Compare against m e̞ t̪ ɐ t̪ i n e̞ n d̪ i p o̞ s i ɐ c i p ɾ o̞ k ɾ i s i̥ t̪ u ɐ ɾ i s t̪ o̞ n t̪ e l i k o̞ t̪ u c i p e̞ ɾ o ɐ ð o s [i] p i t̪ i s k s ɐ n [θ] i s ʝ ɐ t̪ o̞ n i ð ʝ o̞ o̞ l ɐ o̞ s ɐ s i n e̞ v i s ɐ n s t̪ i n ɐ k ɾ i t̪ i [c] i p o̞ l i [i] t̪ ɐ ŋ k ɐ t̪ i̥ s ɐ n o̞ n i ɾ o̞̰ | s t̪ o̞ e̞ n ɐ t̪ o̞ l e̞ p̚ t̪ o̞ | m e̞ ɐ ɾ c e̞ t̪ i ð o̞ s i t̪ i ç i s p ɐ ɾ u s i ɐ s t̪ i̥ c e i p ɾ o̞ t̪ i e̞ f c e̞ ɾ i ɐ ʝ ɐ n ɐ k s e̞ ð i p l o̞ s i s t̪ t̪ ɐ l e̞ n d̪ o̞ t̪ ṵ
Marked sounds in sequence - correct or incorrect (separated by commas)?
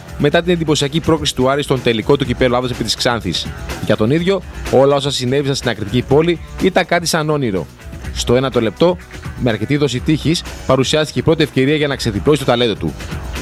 incorrect, correct, correct, correct